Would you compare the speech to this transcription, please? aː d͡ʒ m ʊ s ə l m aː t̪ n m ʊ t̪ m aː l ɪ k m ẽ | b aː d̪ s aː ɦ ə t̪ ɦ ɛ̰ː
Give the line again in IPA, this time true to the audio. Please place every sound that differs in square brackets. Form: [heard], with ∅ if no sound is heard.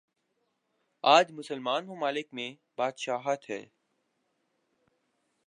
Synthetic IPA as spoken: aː d͡ʒ m ʊ s ə l m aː [∅] n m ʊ [∅] m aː l ɪ k m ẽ | b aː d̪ [ʃ] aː ɦ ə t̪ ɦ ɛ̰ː